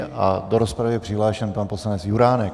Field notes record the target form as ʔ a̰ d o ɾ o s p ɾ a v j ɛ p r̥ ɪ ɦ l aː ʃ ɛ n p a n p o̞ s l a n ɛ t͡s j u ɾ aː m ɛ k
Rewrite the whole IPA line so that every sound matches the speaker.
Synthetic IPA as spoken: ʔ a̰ d o ɾ o s p ɾ a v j ɛ p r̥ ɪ ɦ l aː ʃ ɛ n p a n p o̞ s l a n ɛ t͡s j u ɾ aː n ɛ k